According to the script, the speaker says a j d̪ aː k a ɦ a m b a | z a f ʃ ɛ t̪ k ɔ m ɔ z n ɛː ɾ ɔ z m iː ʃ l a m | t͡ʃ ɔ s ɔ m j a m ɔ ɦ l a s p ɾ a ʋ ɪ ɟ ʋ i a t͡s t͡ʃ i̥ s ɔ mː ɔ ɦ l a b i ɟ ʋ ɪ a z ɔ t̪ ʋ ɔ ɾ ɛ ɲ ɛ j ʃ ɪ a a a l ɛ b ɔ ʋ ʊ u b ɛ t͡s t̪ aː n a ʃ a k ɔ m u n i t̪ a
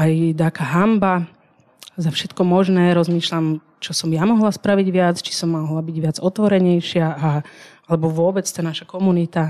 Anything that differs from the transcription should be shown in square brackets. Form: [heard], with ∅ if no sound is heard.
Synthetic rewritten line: a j d̪ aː k a ɦ a m b a | z a f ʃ ɛ t̪ k ɔ m ɔ [ʒ] n ɛː ɾ ɔ z m iː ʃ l a m | t͡ʃ ɔ s ɔ m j a m ɔ ɦ l a s p ɾ a ʋ [i] ɟ ʋ [ɪ] a t͡s t͡ʃ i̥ s ɔ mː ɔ ɦ l a b i ɟ ʋ ɪ a [d͡z] ɔ t̪ ʋ ɔ ɾ ɛ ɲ ɛ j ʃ ɪ a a a l ɛ b ɔ ʋ ʊ [ɔ] b ɛ t͡s t̪ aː n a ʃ a k ɔ m u n i t̪ a